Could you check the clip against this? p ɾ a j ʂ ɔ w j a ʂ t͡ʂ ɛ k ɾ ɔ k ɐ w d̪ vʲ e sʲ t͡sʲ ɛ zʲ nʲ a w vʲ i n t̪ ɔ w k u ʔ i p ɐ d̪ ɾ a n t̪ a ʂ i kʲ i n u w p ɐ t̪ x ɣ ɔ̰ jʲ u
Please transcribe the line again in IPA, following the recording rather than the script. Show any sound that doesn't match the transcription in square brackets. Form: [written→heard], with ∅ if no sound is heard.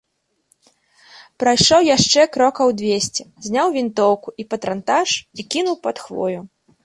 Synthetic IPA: p ɾ a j ʂ ɔ w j a ʂ t͡ʂ ɛ k ɾ ɔ k ɐ w d̪ vʲ e sʲ t͡sʲ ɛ zʲ nʲ a w vʲ i n t̪ ɔ w k u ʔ i p ɐ [d̪→t̪] ɾ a n t̪ a ʂ i kʲ i n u w p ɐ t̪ x [ɣ→v] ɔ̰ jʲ u

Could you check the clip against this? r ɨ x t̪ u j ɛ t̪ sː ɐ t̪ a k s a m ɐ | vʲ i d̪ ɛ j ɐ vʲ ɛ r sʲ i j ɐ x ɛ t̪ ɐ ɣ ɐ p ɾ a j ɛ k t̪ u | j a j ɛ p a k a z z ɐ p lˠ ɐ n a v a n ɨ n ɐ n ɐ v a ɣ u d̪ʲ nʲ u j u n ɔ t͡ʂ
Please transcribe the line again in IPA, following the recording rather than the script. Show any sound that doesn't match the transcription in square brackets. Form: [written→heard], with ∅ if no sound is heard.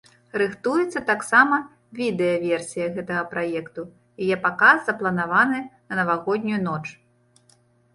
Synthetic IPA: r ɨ x t̪ u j ɛ t̪ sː ɐ t̪ a k s a m ɐ | vʲ i d̪ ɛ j ɐ vʲ ɛ r sʲ i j ɐ [x→ɣ] ɛ t̪ ɐ ɣ ɐ p ɾ a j ɛ k t̪ u | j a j ɛ p a k a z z ɐ p lˠ ɐ n a v a n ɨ n ɐ n ɐ v a ɣ [u→ɔ] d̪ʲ nʲ u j u n ɔ t͡ʂ

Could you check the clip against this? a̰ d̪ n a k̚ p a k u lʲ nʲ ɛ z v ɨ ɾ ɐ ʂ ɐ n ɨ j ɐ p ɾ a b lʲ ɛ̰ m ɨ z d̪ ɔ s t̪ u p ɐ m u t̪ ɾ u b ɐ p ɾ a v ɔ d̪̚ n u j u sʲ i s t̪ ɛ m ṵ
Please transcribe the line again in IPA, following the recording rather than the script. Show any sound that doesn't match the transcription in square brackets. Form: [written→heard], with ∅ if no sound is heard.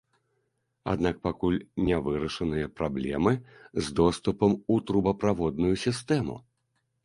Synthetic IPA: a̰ d̪ n a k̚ p a k u lʲ nʲ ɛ [z→∅] v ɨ ɾ ɐ ʂ ɐ n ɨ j ɐ p ɾ a b lʲ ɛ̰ m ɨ z d̪ ɔ s t̪ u p ɐ m u t̪ ɾ u b ɐ p ɾ a v ɔ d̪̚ n u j u sʲ i s t̪ ɛ m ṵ

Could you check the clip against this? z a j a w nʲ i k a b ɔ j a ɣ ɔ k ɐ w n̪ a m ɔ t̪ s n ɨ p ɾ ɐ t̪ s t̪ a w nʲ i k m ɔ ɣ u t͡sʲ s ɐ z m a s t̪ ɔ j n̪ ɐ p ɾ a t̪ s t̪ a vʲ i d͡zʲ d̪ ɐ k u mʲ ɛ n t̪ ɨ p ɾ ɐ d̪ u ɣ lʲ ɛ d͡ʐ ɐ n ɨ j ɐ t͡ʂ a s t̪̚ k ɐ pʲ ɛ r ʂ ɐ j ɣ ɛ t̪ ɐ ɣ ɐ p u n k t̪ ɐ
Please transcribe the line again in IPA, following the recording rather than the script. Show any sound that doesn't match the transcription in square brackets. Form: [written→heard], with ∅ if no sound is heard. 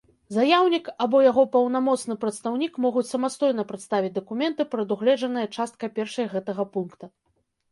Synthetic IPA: z a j a w nʲ i k a b ɔ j a ɣ ɔ [k→p] ɐ w n̪ a m ɔ t̪ s n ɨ p ɾ ɐ t̪ s t̪ a w nʲ i k m ɔ ɣ u t͡sʲ s ɐ [z→∅] m a s t̪ ɔ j n̪ ɐ p ɾ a t̪ s t̪ a vʲ i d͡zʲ d̪ ɐ k u mʲ ɛ n t̪ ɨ p ɾ ɐ d̪ u ɣ lʲ ɛ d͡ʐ ɐ n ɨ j ɐ t͡ʂ a s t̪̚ k ɐ pʲ ɛ r ʂ ɐ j ɣ ɛ t̪ ɐ ɣ ɐ p u n k t̪ ɐ

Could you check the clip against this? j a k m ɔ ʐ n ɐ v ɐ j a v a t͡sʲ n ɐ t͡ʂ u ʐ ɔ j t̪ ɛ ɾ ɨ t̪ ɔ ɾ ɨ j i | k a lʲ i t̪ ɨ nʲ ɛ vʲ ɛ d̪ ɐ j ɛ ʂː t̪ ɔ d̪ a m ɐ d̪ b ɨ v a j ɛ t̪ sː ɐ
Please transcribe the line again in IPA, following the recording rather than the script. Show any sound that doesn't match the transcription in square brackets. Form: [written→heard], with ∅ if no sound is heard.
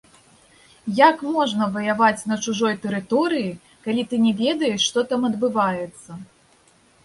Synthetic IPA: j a k m ɔ ʐ n ɐ v ɐ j a v a t͡sʲ n ɐ t͡ʂ u ʐ ɔ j t̪ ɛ ɾ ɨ t̪ ɔ ɾ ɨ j i | k a lʲ i t̪ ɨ nʲ ɛ vʲ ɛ d̪ ɐ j ɛ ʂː t̪ ɔ [d̪→t̪] a m ɐ d̪ b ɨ v a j ɛ t̪ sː ɐ

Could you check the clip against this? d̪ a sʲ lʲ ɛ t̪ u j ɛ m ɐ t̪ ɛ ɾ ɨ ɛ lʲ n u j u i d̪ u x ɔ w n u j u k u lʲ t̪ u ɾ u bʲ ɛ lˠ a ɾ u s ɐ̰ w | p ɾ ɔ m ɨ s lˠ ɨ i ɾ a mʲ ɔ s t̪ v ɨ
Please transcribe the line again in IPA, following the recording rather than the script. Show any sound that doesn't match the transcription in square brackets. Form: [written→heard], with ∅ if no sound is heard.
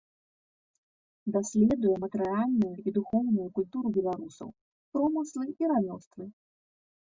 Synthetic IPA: d̪ a sʲ lʲ ɛ [t̪→d̪] u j ɛ m ɐ t̪ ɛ ɾ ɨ [ɛ→a] lʲ n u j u i d̪ u x ɔ w n u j u k u lʲ t̪ u ɾ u bʲ ɛ lˠ a ɾ u s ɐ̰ w | p ɾ ɔ m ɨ s lˠ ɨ i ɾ a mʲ ɔ s t̪ v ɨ

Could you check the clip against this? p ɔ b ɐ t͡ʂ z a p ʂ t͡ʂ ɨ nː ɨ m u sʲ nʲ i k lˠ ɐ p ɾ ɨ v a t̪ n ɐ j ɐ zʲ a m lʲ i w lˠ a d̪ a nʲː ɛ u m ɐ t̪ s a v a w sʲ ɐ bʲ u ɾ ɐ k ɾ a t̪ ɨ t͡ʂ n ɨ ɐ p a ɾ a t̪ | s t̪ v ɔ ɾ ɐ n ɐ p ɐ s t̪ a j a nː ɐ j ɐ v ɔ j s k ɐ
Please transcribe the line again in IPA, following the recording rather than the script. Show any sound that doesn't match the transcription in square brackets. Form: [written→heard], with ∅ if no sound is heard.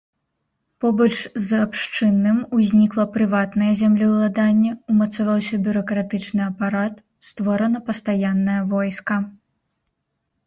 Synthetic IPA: p ɔ b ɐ t͡ʂ z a p ʂ t͡ʂ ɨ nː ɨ m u [sʲ→zʲ] nʲ i k lˠ ɐ p ɾ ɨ v a t̪ n ɐ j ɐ zʲ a m lʲ i w lˠ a d̪ a nʲː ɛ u m ɐ t̪ s a v a w sʲ ɐ bʲ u ɾ ɐ k ɾ a t̪ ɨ t͡ʂ n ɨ ɐ p a ɾ a t̪ | s t̪ v ɔ ɾ ɐ n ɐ p ɐ s t̪ a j a nː ɐ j ɐ v ɔ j s k ɐ

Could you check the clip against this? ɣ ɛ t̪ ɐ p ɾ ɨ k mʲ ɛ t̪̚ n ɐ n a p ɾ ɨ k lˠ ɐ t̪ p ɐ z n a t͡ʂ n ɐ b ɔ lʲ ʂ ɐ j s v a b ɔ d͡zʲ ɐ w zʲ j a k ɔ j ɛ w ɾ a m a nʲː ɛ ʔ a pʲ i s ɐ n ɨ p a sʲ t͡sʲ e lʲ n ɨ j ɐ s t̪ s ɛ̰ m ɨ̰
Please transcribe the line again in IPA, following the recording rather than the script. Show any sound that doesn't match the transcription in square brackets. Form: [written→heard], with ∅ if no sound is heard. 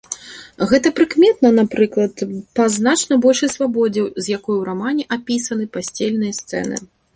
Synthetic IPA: ɣ ɛ t̪ ɐ p ɾ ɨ k mʲ ɛ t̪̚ n ɐ n a p ɾ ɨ k lˠ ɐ t̪ p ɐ z n a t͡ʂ n ɐ b ɔ lʲ ʂ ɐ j s v a b ɔ d͡zʲ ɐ w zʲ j a k ɔ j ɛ w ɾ a m a [nʲː→nʲ] ɛ ʔ a pʲ i s ɐ n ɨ p a sʲ t͡sʲ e lʲ n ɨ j ɐ s t̪ s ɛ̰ [m→n] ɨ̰

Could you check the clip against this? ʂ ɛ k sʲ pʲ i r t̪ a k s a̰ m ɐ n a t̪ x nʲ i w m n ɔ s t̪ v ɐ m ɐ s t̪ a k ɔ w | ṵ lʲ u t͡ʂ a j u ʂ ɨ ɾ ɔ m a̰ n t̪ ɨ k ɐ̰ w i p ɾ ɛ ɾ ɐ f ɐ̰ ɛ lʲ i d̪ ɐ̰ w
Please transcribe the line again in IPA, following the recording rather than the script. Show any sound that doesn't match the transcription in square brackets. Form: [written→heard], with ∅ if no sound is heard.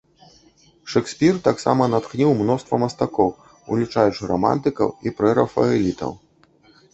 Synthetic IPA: ʂ ɛ k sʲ pʲ i r t̪ a k s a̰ m ɐ n a t̪ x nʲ i w m n ɔ s t̪ v ɐ m ɐ s t̪ a k ɔ w | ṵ lʲ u t͡ʂ a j u [ʂ→t͡ʂ] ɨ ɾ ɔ m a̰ n t̪ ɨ k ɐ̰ w i p ɾ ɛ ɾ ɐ f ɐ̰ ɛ lʲ i [d̪→t̪] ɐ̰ w

